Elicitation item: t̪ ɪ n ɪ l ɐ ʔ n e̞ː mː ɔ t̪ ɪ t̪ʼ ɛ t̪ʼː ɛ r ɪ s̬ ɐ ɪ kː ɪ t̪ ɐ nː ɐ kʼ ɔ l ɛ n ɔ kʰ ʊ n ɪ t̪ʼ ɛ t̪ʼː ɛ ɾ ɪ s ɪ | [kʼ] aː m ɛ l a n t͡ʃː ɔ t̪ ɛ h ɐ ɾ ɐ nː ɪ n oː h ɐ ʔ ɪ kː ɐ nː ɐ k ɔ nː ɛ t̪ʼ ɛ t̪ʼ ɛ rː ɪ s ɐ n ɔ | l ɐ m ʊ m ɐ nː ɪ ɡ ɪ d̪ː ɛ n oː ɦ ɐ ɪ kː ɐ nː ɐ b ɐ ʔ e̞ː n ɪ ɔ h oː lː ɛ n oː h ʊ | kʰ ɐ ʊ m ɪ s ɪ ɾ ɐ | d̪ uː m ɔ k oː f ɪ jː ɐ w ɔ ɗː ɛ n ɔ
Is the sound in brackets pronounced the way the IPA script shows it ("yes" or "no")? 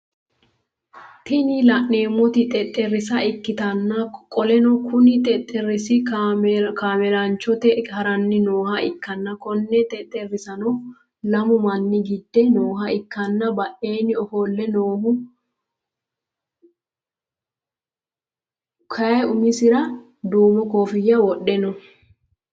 no